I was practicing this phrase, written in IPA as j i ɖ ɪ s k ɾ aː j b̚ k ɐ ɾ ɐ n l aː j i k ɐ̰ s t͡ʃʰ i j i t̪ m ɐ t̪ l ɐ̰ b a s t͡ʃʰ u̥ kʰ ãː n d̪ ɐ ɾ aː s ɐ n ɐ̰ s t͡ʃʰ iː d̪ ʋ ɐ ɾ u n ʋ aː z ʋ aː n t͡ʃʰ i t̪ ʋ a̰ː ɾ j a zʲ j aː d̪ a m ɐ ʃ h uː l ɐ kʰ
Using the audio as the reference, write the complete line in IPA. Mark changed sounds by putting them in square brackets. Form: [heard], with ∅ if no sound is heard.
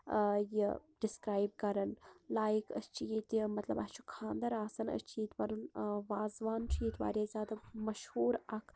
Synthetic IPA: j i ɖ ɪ s k ɾ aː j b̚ k ɐ ɾ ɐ n l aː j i k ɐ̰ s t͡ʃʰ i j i t̪ m ɐ t̪ l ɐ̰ b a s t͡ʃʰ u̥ kʰ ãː n d̪ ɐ ɾ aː s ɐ n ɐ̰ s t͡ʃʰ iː [t̪] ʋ ɐ ɾ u n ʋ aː z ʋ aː n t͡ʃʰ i t̪ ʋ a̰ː ɾ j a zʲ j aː d̪ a m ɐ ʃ h uː [ɾ] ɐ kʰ